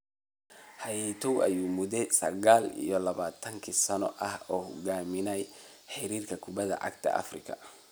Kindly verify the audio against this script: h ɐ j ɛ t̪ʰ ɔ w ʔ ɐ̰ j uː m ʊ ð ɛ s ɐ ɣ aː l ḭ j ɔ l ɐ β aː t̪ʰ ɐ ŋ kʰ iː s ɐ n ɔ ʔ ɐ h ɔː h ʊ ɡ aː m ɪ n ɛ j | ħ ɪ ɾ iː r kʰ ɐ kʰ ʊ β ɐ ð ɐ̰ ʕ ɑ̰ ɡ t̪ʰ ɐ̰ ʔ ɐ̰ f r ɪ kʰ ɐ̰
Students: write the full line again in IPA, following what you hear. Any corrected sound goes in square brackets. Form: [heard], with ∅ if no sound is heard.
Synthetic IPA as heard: h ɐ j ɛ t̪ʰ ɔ w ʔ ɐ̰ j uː m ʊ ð ɛ s ɐ ɣ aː l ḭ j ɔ l ɐ β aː t̪ʰ ɐ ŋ kʰ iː s ɐ n ɔ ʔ ɐ h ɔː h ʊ ɡ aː m ɪ n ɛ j | ħ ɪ ɾ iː r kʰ ɐ kʰ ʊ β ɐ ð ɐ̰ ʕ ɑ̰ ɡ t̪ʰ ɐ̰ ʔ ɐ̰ f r ɪ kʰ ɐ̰